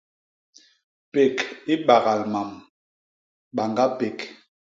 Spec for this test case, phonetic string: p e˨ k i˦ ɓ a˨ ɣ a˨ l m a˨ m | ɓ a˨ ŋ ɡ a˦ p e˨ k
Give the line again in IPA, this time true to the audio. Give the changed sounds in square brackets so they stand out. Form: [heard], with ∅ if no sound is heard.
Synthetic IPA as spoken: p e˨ k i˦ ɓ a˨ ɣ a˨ l m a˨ m | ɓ a˨ ŋ ɡ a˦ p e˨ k

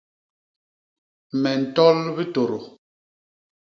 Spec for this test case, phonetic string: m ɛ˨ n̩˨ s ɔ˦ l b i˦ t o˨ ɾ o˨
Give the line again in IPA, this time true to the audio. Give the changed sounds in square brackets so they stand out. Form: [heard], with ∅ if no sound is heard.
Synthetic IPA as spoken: m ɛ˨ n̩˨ [t] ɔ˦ l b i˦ t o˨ ɾ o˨

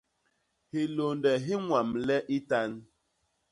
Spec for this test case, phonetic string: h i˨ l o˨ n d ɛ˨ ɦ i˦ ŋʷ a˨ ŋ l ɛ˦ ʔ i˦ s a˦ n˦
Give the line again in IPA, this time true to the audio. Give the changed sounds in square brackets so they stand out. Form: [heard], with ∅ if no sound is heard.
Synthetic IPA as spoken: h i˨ l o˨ n d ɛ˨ ɦ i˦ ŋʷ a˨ [m] l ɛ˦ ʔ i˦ [t] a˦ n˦

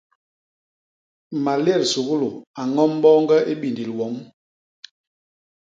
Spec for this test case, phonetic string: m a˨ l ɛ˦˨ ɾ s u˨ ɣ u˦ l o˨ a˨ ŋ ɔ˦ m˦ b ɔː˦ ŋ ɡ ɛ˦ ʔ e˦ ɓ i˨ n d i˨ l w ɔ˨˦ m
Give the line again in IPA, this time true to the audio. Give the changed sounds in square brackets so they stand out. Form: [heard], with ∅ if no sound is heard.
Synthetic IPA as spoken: m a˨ l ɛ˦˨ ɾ s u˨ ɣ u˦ l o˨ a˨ ŋ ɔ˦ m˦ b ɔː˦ ŋ ɡ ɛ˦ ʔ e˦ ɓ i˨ n d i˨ l w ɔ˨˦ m

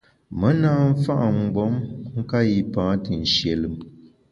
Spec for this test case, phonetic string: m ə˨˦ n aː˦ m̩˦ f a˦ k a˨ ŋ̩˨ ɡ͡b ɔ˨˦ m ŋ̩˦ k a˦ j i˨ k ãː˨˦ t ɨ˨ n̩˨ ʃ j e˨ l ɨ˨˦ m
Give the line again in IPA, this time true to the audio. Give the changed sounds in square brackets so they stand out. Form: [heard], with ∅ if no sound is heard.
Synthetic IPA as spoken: m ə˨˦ n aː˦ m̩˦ f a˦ [ʔ] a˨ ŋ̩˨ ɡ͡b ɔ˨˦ m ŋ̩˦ k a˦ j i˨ [p] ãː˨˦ t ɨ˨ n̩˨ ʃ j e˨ l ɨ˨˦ m

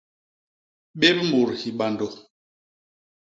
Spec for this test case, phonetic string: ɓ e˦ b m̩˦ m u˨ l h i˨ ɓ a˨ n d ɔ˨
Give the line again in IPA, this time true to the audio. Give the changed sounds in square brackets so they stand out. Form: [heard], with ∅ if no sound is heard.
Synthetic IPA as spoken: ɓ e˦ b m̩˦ [b] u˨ [ɾ] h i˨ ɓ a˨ n d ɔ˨

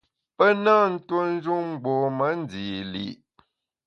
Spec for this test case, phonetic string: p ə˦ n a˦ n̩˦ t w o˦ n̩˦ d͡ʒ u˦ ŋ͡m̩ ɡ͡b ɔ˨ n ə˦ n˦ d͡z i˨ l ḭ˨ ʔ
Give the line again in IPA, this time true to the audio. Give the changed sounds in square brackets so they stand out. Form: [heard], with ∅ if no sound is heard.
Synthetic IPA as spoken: p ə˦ n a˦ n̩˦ t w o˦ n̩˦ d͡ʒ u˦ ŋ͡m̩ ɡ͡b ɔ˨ [m] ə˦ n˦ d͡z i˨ l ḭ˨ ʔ

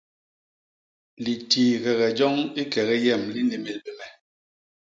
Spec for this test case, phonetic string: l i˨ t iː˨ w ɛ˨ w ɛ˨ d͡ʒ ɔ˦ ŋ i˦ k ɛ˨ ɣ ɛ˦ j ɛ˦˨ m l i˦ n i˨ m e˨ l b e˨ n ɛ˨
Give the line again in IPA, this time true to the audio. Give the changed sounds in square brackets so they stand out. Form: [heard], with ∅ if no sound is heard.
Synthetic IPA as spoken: l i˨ t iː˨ [ɣ] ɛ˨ [ɣ] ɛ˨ d͡ʒ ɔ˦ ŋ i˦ k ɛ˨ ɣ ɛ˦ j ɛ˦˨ m l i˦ n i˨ m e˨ l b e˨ [m] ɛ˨

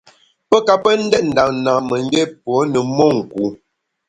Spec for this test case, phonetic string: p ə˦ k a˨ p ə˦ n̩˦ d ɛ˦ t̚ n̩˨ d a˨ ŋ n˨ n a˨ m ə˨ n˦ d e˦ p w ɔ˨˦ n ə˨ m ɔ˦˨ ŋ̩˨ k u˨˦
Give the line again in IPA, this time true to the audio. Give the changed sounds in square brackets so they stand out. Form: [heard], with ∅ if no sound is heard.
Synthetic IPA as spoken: p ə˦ k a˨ p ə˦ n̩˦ d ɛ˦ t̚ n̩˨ d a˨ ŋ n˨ n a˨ m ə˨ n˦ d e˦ p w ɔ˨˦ n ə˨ m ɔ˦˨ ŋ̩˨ k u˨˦

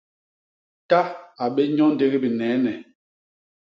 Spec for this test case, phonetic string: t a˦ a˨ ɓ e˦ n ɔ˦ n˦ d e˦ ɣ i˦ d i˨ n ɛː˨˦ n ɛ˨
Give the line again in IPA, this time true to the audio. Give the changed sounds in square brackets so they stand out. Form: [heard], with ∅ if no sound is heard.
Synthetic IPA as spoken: t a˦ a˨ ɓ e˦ [ɲ] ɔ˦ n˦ d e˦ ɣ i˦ [b] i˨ n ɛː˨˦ n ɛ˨

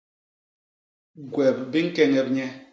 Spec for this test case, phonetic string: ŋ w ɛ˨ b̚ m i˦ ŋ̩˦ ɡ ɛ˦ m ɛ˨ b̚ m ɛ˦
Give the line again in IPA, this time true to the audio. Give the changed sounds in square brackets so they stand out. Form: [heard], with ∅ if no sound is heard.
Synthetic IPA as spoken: [ɡ] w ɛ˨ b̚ [b] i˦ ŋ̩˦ [k] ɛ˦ [ŋ] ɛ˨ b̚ [ɲ] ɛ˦

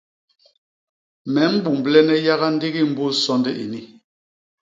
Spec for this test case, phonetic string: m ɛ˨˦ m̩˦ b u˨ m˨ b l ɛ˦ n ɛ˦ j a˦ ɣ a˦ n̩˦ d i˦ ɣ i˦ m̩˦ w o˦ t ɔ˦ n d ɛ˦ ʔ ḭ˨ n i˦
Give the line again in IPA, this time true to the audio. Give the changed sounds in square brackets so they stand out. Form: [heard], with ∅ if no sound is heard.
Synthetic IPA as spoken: m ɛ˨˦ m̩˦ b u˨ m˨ b l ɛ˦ n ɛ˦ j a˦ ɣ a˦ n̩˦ d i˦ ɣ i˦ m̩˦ [b] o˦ [s] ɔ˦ n d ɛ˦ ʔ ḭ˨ n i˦

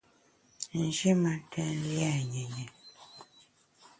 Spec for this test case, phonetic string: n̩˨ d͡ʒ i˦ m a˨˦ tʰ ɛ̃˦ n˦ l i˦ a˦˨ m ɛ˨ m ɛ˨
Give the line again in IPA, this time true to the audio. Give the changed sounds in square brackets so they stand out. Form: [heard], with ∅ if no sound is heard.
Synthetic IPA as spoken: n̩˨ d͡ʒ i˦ m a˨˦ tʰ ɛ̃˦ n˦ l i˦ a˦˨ [ɲ] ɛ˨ [ɲ] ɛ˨

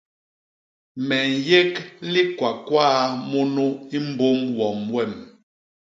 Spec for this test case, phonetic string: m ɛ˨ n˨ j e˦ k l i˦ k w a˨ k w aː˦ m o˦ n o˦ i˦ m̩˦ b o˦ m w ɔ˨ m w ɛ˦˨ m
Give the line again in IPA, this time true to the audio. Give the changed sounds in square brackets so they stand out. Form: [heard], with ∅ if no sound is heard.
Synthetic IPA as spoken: m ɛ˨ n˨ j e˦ k l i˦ k w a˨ k w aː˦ m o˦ n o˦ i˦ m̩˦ b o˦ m w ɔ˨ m w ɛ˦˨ m

